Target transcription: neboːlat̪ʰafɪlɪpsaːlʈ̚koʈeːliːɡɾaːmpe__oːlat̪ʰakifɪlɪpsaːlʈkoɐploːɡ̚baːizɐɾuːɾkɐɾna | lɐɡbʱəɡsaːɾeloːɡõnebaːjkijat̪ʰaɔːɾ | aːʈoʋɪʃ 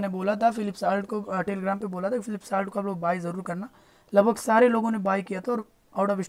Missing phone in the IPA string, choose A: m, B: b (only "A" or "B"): B